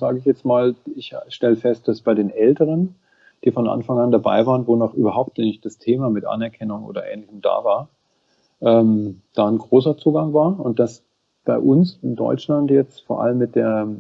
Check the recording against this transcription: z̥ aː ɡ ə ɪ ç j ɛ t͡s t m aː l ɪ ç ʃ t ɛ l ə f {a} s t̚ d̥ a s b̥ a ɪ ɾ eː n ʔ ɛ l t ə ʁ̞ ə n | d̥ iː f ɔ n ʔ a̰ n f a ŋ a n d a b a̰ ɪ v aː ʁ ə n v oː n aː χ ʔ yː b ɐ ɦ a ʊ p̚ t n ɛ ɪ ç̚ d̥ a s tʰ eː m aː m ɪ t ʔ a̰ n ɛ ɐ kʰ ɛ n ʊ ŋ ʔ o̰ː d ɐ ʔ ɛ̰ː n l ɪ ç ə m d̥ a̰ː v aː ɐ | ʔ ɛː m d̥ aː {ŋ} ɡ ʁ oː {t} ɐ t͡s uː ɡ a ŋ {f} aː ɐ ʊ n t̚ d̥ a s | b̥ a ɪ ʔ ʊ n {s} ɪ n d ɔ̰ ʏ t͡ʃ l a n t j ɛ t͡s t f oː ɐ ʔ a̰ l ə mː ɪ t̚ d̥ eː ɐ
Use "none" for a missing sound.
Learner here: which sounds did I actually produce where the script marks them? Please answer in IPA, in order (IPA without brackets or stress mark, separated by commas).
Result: ɛ, n, s, v, s